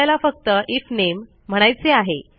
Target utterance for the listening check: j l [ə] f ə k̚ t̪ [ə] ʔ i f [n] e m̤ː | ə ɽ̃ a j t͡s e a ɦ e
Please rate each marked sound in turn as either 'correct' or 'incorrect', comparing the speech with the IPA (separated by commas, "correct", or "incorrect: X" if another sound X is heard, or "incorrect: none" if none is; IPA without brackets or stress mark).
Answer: incorrect: a, correct, correct